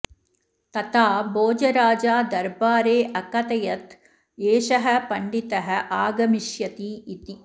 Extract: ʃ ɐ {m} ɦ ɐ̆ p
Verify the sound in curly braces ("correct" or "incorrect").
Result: incorrect